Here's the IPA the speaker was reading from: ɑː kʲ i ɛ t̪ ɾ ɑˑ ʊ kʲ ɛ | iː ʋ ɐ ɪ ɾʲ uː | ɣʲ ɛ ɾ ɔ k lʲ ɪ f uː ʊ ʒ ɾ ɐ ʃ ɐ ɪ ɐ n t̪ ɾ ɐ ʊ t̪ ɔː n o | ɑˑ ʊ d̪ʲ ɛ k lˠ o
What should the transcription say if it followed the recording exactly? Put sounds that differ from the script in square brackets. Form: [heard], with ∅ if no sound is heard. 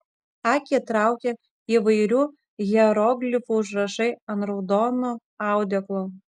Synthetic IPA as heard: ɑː kʲ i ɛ t̪ ɾ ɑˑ ʊ kʲ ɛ | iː ʋ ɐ ɪ ɾʲ uː | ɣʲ ɛ ɾ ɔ [ɡ] lʲ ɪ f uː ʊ ʒ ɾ ɐ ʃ ɐ ɪ ɐ n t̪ ɾ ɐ ʊ [d̪] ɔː n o | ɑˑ ʊ d̪ʲ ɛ k lˠ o

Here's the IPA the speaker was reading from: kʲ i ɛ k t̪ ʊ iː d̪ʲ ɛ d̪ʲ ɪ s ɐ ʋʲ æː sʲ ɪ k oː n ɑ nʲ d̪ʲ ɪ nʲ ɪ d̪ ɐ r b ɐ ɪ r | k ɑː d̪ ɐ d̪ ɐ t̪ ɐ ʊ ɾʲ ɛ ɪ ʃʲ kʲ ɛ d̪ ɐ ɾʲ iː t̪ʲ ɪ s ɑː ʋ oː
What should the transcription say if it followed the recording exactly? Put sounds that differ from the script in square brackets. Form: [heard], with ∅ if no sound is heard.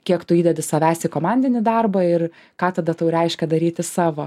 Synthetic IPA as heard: kʲ i ɛ k t̪ ʊ iː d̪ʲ ɛ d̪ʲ ɪ s ɐ ʋʲ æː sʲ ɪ k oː [m] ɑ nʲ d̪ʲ ɪ nʲ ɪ d̪ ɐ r b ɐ ɪ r | k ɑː [t̪] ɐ d̪ ɐ t̪ ɐ ʊ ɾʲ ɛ ɪ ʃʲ kʲ ɛ d̪ ɐ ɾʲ iː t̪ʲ ɪ s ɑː ʋ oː

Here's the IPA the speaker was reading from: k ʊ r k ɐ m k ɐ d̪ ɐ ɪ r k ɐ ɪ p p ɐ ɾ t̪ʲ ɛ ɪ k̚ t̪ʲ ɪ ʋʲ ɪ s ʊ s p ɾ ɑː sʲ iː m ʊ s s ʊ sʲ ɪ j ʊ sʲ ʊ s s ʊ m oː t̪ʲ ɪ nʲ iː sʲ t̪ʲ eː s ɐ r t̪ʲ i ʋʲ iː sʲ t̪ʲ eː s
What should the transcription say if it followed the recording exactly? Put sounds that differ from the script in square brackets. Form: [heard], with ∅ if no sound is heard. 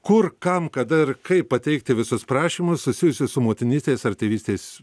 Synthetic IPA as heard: k ʊ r k ɐ m k ɐ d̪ ɐ ɪ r k ɐ ɪ p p ɐ [∅] t̪ʲ ɛ ɪ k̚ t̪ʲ ɪ ʋʲ ɪ s ʊ s p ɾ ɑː [ʃʲ] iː m ʊ s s ʊ sʲ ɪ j ʊ sʲ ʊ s s ʊ m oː t̪ʲ ɪ nʲ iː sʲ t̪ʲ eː s ɐ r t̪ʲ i ʋʲ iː sʲ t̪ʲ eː s

